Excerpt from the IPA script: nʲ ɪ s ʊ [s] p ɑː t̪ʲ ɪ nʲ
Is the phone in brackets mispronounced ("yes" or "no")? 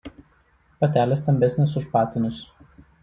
yes